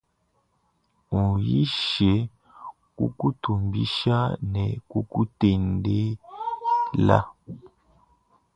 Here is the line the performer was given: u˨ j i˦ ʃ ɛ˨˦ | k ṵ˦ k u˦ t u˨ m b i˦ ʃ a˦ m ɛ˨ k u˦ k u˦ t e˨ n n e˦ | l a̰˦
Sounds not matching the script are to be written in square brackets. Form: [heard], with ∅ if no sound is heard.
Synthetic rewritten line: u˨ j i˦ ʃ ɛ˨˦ | k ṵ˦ k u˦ t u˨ m b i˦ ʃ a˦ [n] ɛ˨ k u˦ k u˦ t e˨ n [d] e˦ | l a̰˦

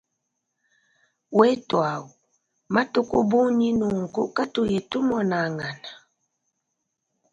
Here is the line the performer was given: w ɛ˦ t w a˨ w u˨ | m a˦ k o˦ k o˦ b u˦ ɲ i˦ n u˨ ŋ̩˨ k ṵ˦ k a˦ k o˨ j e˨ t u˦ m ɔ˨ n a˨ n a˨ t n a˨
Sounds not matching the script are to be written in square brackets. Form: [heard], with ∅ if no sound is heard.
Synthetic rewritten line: w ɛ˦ t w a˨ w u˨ | m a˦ [t] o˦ k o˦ b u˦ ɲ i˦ n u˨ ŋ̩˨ k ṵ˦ k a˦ [t] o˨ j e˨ t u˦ m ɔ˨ n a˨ [ŋ] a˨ [∅] n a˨

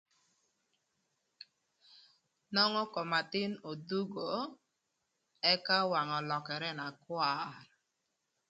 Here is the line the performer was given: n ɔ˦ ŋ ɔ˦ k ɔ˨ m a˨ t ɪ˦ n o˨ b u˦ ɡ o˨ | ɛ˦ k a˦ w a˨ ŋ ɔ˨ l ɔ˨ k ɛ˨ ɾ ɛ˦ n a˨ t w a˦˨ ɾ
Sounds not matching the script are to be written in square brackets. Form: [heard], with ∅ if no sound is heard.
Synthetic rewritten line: n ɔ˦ ŋ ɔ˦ k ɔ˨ m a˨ t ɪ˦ n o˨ [d] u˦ ɡ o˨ | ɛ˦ k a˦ w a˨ ŋ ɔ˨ l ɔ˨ k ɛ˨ ɾ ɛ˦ n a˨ [k] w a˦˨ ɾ

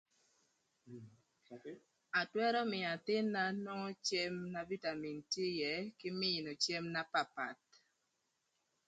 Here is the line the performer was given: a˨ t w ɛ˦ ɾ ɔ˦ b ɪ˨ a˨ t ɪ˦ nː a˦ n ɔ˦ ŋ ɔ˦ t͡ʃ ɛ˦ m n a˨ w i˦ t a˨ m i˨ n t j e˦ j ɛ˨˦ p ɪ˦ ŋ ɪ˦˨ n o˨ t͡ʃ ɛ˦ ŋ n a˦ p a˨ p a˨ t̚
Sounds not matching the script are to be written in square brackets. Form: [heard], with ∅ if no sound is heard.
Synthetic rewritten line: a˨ t w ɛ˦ ɾ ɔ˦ [m] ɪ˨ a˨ t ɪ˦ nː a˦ n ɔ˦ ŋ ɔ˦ t͡ʃ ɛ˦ m n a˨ [v] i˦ t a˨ m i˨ n t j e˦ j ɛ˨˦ [k] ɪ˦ [m] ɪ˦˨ n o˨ t͡ʃ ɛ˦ [m] n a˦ p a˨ p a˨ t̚

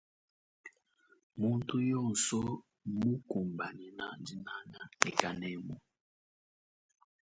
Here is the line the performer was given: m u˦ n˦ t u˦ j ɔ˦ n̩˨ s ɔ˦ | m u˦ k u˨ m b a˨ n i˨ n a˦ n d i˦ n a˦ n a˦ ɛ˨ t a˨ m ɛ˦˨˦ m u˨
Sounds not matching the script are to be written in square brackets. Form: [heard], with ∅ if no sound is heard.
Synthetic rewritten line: m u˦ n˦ t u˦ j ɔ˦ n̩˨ s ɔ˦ | m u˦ k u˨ m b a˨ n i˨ n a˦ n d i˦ n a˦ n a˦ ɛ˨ [k] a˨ [n] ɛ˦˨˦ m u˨

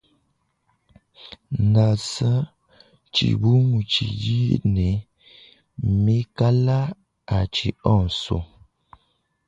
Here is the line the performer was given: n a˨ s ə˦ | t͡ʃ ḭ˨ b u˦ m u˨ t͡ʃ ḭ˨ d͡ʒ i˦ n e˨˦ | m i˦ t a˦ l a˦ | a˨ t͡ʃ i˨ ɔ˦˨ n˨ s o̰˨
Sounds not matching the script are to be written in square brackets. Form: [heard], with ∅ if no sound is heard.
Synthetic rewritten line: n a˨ s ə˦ | t͡ʃ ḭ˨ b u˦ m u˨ t͡ʃ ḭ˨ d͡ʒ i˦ n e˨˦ | m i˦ [k] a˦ l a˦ | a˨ t͡ʃ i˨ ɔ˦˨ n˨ s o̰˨

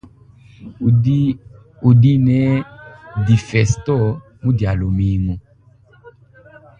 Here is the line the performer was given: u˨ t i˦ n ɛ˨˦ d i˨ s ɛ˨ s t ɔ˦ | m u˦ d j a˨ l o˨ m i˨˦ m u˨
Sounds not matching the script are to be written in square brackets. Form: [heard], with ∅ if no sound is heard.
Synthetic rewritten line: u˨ [d] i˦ n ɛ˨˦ d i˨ [f] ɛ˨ s t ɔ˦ | m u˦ d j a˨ l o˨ m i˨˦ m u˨

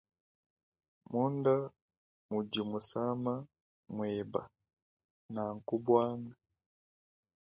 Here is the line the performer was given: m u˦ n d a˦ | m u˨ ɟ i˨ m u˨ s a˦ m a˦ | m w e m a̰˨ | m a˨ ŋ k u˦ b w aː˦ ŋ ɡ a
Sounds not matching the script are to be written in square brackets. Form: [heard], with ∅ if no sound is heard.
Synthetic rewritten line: m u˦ n d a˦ | m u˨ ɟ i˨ m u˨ s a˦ m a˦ | m w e [b] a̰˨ | [n] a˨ ŋ k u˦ b w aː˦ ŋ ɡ a

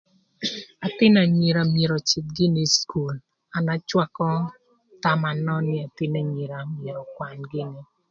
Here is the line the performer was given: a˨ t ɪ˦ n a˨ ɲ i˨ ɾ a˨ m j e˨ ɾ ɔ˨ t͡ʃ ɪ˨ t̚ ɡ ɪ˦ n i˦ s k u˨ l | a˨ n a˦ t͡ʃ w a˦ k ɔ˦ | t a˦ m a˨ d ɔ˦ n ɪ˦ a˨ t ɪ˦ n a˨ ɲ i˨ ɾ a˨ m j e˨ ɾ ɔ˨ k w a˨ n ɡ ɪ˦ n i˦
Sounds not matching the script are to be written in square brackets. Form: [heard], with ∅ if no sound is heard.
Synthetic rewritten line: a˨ t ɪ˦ n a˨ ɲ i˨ ɾ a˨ m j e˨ ɾ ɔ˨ t͡ʃ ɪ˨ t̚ ɡ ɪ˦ n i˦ s k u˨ l | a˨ n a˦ t͡ʃ w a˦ k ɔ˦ | t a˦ m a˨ [n] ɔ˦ n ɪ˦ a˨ t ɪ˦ n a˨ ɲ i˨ ɾ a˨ m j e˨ ɾ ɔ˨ k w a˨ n ɡ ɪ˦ n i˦

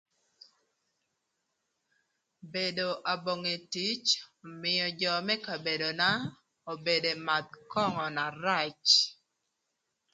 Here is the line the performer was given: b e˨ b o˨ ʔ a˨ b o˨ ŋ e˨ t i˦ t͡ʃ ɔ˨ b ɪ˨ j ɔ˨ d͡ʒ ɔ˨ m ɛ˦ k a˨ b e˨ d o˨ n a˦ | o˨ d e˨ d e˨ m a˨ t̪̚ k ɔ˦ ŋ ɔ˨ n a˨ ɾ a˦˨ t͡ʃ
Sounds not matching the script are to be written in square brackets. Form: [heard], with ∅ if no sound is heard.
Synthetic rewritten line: b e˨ [d] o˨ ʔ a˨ b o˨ ŋ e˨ t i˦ t͡ʃ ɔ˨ [m] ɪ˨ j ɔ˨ d͡ʒ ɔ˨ m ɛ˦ k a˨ b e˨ d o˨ n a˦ | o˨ [b] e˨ d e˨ m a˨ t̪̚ k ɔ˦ ŋ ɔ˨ n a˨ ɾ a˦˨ t͡ʃ

